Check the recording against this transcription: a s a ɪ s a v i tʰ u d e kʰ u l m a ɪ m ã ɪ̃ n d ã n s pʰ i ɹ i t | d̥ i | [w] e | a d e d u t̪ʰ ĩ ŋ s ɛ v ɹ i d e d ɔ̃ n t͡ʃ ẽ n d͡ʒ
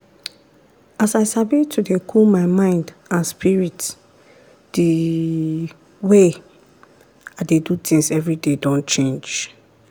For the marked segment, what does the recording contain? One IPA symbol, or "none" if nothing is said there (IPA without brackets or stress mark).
w